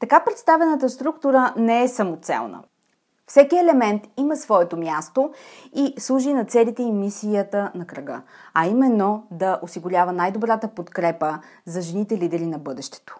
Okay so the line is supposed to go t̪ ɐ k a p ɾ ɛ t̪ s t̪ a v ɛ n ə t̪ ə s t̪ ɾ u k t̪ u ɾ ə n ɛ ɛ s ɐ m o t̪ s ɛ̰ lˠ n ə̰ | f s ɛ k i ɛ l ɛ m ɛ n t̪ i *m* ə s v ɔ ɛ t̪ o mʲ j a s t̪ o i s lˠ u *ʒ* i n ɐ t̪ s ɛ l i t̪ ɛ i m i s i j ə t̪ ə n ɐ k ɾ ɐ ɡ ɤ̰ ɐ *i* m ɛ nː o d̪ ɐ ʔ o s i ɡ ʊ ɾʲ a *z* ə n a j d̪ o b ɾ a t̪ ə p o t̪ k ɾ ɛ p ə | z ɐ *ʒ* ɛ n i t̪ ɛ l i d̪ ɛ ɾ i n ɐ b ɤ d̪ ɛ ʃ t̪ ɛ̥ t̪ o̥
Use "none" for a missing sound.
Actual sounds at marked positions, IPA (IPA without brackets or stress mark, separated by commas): m, ʒ, i, v, ʒ